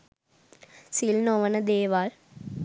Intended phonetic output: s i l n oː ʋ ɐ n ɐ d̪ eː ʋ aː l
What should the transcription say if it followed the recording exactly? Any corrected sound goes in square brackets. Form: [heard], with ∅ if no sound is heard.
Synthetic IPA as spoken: s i l n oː ʋ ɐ n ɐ d̪ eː ʋ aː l